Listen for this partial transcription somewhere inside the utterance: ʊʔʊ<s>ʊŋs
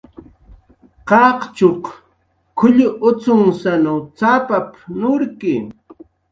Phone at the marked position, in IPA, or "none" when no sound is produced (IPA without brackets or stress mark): t͡s